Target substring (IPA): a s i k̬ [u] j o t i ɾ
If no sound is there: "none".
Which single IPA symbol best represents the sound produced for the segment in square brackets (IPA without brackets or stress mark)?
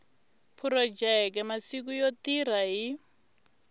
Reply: u